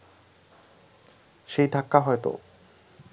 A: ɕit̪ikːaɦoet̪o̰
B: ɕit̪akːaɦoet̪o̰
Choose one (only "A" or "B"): B